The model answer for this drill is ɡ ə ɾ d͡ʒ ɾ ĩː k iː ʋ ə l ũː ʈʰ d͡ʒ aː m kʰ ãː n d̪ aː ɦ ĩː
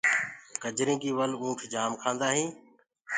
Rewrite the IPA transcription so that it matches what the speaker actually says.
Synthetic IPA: k ə d͡ʒ ɾ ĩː k iː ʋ ə l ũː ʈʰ d͡ʒ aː m kʰ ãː n d̪ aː ɦ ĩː

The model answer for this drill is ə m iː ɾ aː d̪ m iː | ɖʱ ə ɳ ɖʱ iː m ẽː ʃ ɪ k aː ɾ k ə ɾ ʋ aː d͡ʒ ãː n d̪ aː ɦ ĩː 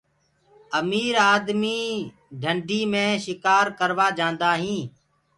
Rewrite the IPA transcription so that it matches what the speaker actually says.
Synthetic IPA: ə m iː ɾ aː d̪ m iː | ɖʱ ə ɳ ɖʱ iː m ẽː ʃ ɪ k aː ɾ k ə ɾ ʋ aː d͡ʒ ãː n d̪ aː ɦ ĩː

